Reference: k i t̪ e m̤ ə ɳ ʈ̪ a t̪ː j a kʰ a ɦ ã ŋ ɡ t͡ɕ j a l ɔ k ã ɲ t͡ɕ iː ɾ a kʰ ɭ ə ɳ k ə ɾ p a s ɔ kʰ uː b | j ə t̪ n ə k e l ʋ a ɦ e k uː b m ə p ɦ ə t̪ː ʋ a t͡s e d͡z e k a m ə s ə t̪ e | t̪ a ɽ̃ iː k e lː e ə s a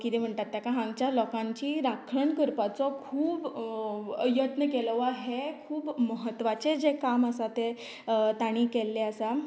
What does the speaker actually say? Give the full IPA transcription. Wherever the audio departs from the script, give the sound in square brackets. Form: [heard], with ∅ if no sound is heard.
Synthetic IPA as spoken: k i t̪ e m̤ ə ɳ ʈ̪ a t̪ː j a [k] a ɦ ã ŋ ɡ t͡ɕ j a l ɔ k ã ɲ t͡ɕ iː ɾ a kʰ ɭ ə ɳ k ə ɾ p a [t͡s] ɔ kʰ uː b | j ə t̪ n ə k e l ʋ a ɦ e [kʰ] uː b m ə [∅] ɦ ə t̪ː ʋ a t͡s e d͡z e k a m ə s [a] t̪ e | t̪ a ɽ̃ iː k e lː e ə s a